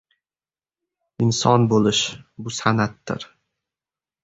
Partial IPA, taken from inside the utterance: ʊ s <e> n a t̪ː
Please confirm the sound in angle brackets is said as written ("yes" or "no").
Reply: no